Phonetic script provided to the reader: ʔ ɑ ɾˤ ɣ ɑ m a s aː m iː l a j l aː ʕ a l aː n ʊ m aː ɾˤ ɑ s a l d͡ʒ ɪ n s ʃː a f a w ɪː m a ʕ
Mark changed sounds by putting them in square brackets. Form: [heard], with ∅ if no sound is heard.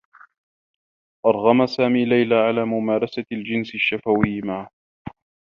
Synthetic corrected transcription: ʔ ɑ ɾˤ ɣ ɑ m a s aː m iː l a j l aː ʕ a l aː [m] ʊ m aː ɾˤ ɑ s a l d͡ʒ ɪ n s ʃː a f a w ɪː m a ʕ

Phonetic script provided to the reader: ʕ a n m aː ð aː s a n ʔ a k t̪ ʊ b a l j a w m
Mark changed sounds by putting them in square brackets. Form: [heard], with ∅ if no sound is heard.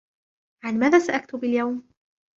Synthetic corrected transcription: ʕ a n m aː ð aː s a [∅] ʔ a k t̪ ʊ b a l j a w m

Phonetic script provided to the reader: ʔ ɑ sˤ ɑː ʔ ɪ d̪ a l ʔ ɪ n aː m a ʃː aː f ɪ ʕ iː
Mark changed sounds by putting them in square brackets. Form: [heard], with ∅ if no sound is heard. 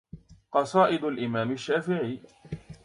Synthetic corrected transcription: [q] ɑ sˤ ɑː ʔ ɪ d̪ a l ʔ ɪ [m] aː m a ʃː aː f ɪ ʕ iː

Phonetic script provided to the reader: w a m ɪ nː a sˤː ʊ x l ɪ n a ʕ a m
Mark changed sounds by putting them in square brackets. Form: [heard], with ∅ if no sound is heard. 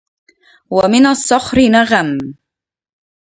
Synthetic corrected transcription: w a m ɪ [n] a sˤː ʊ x [ɾ] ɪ n a [ɣ] a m

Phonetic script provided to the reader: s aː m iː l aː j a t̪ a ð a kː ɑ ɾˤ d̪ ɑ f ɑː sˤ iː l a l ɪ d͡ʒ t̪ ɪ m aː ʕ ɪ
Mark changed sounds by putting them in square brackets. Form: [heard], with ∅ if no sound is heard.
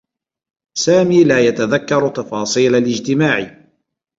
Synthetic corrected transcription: s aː m iː l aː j a t̪ a ð a kː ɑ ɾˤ [t̪] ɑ f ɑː sˤ iː l a l ɪ d͡ʒ t̪ ɪ m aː ʕ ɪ

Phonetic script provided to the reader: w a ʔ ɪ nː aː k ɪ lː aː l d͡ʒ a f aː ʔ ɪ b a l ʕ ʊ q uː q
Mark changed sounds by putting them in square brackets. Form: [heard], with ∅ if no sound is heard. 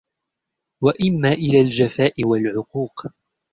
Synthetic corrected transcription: w a ʔ ɪ [mː] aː [ʔ] ɪ [l] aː l d͡ʒ a f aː ʔ ɪ [w] a l ʕ ʊ q uː q

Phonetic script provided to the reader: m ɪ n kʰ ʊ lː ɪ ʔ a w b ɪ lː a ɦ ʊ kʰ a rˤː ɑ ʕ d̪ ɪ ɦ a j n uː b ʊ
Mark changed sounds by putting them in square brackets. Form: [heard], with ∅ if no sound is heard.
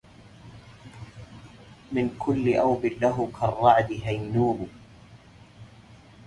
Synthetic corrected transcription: m ɪ n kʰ ʊ lː ɪ ʔ a w b ɪ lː a ɦ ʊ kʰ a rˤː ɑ ʕ d̪ ɪ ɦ a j n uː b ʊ

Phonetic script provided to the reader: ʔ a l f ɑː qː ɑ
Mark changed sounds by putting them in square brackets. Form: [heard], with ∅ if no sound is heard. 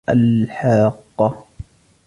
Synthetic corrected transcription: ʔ a l [ħ] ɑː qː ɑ

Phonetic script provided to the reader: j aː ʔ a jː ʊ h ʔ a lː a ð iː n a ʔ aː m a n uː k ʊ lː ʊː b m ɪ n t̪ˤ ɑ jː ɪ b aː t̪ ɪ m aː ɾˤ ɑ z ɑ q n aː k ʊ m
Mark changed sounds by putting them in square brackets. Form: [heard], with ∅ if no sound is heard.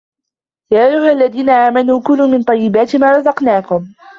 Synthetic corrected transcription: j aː ʔ a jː ʊ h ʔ a lː a ð iː n a ʔ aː m a n uː k ʊ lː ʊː [∅] m ɪ n t̪ˤ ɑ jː ɪ b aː t̪ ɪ m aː ɾˤ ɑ z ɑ q n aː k ʊ m

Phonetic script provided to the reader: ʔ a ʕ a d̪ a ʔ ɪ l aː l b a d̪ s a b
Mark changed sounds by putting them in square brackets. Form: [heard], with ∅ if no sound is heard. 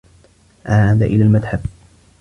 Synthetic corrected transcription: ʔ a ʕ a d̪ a ʔ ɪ l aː l [m] a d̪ [ħ] a b

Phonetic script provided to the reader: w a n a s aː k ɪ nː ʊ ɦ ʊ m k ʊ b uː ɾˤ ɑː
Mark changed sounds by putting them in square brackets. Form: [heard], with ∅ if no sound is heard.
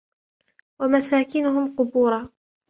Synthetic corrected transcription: w a [m] a s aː k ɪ [n] ʊ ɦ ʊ m [q] ʊ b uː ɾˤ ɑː

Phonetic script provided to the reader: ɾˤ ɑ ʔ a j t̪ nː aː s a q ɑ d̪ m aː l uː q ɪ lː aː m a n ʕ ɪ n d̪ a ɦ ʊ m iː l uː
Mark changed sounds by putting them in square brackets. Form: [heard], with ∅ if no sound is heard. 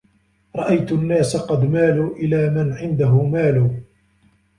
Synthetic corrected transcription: ɾˤ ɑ ʔ a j t̪ nː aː s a q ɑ d̪ m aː l uː [ʔ] ɪ [l] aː m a n ʕ ɪ n d̪ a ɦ ʊ m [aː] l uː

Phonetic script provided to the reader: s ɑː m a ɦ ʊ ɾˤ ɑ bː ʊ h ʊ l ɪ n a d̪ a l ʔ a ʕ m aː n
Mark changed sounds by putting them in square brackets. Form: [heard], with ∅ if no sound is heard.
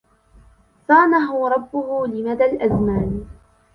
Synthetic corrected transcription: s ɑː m a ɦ ʊ ɾˤ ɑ bː ʊ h ʊ l ɪ [m] a d̪ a l ʔ a [z] m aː n

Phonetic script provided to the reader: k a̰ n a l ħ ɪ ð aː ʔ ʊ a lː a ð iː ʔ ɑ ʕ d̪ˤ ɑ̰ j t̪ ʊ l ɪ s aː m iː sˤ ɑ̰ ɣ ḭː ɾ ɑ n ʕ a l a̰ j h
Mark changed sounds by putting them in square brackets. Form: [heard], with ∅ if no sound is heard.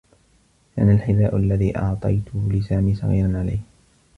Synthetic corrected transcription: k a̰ n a l ħ ɪ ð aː ʔ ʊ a lː a ð iː ʔ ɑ ʕ [t̪ˤ] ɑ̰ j t̪ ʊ l ɪ s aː m iː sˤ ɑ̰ ɣ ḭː ɾ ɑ n ʕ a l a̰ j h

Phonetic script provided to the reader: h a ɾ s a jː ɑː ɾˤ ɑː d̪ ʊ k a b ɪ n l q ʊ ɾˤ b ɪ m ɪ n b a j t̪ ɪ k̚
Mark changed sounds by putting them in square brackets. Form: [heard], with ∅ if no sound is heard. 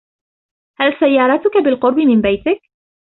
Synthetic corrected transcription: h a [l] s a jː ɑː ɾˤ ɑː [t̪] ʊ k a b ɪ [∅] l q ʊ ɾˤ b ɪ m ɪ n b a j t̪ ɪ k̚

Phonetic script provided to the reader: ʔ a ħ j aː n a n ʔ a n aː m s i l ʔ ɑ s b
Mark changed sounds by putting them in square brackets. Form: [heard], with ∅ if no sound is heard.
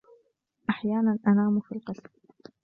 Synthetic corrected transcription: ʔ a ħ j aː n a n ʔ a n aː m [f] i l [q] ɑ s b

